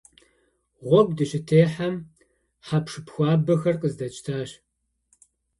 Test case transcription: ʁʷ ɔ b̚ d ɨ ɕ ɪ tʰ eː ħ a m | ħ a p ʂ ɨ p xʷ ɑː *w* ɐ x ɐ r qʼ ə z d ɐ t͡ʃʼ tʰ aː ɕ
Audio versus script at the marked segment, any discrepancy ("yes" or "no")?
yes